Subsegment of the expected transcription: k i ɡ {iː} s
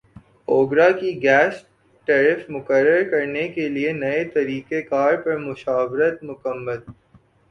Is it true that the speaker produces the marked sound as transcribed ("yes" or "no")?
no